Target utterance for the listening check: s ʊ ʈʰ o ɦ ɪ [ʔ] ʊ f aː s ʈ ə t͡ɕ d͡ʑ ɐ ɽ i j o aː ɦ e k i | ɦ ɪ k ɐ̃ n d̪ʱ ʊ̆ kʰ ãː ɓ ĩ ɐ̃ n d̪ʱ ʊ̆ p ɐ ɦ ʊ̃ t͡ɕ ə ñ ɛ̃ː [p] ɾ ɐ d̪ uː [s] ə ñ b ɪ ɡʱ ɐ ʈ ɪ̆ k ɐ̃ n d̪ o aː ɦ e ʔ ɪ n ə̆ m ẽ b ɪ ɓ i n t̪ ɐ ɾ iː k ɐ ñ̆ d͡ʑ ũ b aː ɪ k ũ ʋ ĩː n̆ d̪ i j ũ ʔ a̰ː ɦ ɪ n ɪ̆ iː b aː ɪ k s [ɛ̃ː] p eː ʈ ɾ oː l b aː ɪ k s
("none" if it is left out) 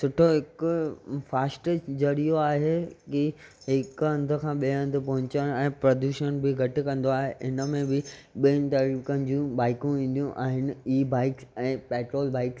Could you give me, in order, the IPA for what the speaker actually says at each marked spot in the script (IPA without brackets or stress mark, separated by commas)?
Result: k, p, ʃ, ɛ̃ː